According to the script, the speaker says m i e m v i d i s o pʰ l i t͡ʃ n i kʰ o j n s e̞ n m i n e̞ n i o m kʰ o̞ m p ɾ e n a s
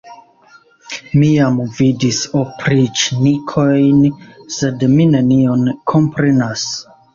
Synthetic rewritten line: m i a m v i d i s o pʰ ɾ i t͡ʃ n i kʰ o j n s e̞ d m i n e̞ n i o n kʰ o̞ m p ɾ e n a s